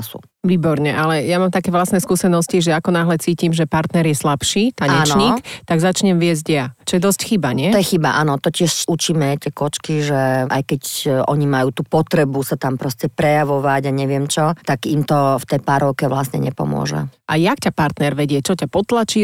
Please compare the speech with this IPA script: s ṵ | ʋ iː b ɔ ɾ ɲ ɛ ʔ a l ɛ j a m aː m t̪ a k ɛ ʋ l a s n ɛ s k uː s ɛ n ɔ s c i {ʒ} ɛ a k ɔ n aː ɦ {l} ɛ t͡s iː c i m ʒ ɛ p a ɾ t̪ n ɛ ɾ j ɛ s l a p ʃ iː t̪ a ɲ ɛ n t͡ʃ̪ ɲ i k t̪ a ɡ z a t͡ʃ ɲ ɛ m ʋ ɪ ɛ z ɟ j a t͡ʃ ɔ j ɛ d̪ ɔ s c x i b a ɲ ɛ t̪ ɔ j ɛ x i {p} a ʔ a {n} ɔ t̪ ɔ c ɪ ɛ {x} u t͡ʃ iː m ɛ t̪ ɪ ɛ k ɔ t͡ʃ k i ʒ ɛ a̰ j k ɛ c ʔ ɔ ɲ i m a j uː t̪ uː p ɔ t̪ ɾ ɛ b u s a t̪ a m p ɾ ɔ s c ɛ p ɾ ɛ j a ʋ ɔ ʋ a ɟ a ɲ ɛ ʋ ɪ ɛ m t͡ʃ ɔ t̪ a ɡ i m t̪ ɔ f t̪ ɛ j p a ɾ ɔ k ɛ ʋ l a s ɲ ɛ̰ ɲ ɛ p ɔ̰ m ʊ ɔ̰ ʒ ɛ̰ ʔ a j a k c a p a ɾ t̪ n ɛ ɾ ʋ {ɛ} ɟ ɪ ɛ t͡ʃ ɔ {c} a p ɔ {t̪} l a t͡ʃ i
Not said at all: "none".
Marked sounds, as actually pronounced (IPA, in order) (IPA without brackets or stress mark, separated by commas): ʒ, l, b, n, ʃ, ɛ, c, t̪